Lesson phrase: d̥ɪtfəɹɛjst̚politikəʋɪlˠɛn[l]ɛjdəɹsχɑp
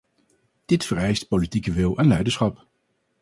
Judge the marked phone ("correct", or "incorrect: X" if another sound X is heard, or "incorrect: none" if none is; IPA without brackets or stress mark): correct